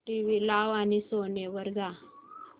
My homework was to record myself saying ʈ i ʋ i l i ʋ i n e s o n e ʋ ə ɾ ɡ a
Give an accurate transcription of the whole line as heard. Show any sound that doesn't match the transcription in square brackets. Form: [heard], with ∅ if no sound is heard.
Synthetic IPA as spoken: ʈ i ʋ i l [a] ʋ [a] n [i] s o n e ʋ ə ɾ ɡ a